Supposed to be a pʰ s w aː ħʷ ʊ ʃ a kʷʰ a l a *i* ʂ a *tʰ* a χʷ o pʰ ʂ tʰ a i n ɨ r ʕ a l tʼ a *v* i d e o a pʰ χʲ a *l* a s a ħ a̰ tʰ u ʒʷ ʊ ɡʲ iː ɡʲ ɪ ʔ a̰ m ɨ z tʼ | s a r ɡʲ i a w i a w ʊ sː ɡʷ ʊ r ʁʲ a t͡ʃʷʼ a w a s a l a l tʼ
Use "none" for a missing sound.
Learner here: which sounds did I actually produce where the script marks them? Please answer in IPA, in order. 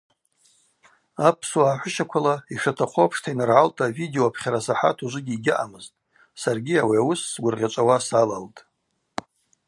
i, tʰ, v, ɾ

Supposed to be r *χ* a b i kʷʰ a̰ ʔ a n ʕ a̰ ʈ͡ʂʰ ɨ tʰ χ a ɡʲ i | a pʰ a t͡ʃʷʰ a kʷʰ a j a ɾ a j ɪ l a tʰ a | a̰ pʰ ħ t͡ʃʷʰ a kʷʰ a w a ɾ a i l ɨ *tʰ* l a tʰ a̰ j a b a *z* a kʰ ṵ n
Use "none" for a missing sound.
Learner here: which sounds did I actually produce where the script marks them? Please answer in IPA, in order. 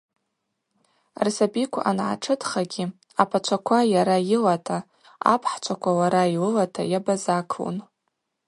s, none, z

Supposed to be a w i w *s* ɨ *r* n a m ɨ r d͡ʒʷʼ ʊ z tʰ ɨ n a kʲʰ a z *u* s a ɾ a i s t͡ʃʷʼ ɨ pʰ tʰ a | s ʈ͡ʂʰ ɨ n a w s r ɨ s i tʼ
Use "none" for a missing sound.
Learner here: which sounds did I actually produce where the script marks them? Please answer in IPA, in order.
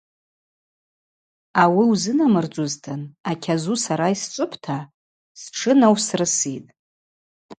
z, none, u

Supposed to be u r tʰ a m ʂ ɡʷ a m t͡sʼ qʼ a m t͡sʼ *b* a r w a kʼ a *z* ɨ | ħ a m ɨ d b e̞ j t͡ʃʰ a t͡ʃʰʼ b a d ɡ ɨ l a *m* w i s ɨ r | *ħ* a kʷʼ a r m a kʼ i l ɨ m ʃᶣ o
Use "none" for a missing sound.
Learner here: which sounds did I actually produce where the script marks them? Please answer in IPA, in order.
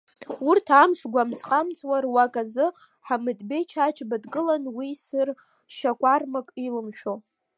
w, z, n, ʃ

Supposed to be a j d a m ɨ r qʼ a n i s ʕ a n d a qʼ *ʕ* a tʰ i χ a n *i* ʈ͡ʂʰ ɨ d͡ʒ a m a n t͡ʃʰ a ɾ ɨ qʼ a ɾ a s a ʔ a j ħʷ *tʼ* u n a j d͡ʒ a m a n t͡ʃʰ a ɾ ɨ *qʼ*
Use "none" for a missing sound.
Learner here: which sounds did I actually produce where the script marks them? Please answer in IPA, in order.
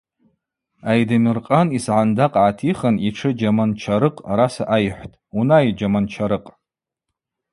ʕ, i, tʼ, qʼ

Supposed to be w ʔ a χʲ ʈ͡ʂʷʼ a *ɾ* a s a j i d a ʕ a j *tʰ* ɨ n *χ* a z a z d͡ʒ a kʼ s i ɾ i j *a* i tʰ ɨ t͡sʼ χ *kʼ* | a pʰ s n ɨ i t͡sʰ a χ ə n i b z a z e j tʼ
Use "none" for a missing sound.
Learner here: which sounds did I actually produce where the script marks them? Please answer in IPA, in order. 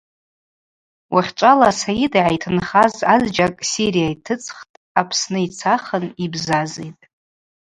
l, tʰ, χ, a, tʼ

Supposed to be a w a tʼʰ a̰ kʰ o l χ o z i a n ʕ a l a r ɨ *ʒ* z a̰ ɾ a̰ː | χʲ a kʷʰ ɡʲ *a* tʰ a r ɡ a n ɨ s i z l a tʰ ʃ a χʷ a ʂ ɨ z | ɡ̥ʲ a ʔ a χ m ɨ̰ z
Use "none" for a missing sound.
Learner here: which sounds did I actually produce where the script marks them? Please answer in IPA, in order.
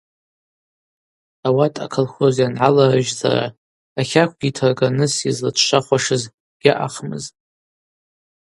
ʒ, i

